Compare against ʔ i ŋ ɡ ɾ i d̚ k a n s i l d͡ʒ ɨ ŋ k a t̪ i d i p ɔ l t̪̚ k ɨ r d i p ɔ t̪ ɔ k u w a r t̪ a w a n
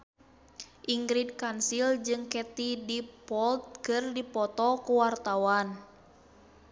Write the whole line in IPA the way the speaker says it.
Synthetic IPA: ʔ i ŋ ɡ ɾ i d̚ k a n s i l d͡ʒ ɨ ŋ k ɛ t̪ i d i p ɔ l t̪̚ k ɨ r d i p ɔ t̪ ɔ k u w a r t̪ a w a n